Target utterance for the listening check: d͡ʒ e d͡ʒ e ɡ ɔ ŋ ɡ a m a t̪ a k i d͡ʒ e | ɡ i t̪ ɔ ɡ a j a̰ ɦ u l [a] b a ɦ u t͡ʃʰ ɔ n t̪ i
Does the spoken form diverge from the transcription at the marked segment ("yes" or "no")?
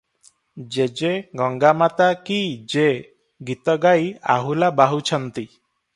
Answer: no